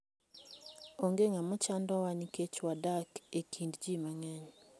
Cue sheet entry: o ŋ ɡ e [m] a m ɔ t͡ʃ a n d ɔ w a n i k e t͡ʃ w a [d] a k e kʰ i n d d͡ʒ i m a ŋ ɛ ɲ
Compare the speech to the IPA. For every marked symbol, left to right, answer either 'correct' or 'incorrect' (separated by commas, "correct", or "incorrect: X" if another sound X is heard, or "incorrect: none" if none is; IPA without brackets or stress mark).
incorrect: ŋ, correct